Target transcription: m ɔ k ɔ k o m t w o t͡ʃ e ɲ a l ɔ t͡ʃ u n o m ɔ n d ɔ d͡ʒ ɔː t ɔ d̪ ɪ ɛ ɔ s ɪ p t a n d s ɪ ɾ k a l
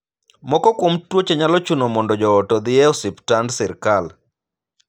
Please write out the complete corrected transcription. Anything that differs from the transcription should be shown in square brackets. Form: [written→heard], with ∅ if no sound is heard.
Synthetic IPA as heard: m ɔ k ɔ k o m t w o t͡ʃ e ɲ a l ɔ t͡ʃ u n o m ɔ n d ɔ d͡ʒ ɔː t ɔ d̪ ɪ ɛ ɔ s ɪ p t a n d s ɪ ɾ k a l